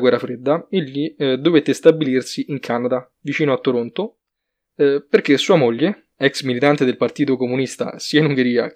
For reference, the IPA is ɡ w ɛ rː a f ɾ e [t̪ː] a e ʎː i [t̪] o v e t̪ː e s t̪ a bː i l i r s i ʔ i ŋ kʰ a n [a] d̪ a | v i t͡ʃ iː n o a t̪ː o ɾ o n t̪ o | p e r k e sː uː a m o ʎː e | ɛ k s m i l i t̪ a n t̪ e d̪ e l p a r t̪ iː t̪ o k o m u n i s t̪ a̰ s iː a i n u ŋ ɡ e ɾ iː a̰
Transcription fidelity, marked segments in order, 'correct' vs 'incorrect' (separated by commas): incorrect, incorrect, correct